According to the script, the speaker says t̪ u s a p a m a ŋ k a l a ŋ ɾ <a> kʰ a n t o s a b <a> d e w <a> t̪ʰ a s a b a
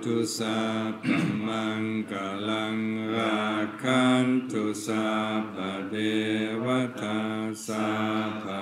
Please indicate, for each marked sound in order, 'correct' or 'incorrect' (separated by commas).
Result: correct, correct, correct